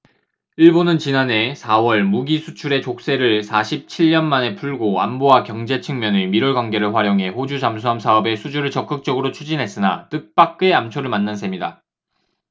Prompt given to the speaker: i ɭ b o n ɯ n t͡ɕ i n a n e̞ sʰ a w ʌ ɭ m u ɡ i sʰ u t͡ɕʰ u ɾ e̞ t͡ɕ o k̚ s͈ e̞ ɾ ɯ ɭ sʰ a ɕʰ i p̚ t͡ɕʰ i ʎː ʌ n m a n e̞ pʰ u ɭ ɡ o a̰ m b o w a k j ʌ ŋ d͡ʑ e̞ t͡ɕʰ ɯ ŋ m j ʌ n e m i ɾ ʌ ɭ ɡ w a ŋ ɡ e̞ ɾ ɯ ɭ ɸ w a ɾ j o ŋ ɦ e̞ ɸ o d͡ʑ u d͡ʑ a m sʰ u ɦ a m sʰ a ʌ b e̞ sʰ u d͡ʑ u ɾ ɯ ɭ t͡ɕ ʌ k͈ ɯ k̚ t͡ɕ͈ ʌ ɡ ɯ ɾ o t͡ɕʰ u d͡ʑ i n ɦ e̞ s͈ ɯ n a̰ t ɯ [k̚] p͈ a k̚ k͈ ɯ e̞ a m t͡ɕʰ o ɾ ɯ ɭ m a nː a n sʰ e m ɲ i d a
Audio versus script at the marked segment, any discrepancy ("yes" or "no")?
no